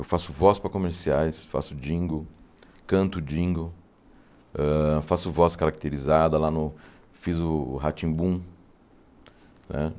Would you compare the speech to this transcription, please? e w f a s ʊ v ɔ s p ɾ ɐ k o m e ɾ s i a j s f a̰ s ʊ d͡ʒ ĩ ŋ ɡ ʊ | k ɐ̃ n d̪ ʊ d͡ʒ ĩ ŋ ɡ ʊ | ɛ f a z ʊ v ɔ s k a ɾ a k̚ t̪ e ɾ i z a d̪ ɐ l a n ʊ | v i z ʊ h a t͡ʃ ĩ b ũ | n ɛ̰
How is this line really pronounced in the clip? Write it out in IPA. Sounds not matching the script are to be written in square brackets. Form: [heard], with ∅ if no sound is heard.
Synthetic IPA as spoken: e w f a s ʊ v ɔ s p ɾ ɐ k o m e ɾ s i a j s f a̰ s ʊ d͡ʒ ĩ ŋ ɡ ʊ | k ɐ̃ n [t̪] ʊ d͡ʒ ĩ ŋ ɡ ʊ | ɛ f a [s] ʊ v ɔ s k a ɾ a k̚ t̪ e ɾ i z a d̪ ɐ l a n ʊ | [f] i z ʊ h a t͡ʃ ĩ b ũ | n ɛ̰

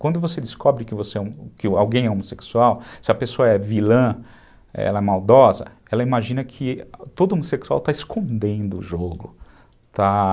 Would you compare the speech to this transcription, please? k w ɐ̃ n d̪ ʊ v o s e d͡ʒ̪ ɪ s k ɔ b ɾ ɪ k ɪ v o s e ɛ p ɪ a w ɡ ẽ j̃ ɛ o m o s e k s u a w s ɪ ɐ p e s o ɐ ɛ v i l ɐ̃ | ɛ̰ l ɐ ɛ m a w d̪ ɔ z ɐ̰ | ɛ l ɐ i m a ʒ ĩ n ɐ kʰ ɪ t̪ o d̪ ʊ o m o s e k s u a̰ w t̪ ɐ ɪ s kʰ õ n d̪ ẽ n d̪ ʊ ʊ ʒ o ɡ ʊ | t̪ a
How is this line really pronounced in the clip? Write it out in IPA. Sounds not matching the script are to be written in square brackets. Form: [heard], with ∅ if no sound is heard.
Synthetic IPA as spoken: k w ɐ̃ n d̪ ʊ v o s e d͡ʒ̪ ɪ s k ɔ b ɾ ɪ k ɪ v o s e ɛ [k] ɪ a w ɡ ẽ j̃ ɛ o m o s e k s u a w s ɪ ɐ p e s o ɐ ɛ v i l ɐ̃ | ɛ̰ l ɐ ɛ m a w d̪ ɔ z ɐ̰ | ɛ l ɐ i m a ʒ ĩ n ɐ kʰ ɪ t̪ o d̪ ʊ o m o s e k s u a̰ w t̪ [a] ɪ s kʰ õ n d̪ ẽ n d̪ ʊ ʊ ʒ o ɡ ʊ | t̪ a

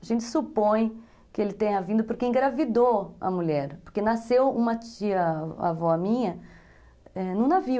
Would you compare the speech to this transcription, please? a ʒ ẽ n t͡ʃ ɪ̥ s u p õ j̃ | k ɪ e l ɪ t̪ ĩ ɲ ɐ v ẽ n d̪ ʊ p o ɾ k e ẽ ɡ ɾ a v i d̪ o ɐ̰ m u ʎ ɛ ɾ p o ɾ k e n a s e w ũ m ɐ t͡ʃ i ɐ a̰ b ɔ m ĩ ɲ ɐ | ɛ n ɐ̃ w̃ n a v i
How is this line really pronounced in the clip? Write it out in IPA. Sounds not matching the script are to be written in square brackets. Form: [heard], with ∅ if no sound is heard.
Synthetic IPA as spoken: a ʒ ẽ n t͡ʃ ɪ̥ s u p õ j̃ | k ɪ e l ɪ t̪ [ẽ] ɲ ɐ v [ĩ] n d̪ ʊ p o ɾ k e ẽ ɡ ɾ a v i d̪ o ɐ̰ m u ʎ ɛ ɾ p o ɾ k e n a s e w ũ m ɐ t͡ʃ i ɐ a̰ [v] ɔ m ĩ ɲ ɐ | ɛ n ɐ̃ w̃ n a v i

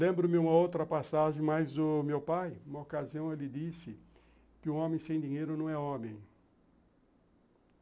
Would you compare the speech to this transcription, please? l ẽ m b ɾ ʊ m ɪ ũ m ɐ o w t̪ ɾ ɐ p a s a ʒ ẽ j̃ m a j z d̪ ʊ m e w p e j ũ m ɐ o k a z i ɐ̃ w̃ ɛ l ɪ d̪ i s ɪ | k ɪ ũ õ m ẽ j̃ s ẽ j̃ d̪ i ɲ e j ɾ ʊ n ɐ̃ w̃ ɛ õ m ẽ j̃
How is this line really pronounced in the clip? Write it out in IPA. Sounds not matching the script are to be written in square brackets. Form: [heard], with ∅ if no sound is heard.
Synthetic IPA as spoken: l ẽ m b ɾ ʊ m ɪ ũ m ɐ o w t̪ ɾ ɐ p a s a ʒ ẽ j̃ m a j z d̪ ʊ m e w p [a] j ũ m ɐ o k a z i ɐ̃ w̃ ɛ l ɪ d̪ i s ɪ | k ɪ ũ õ m ẽ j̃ s ẽ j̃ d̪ i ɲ e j ɾ ʊ n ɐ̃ w̃ ɛ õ m ẽ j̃

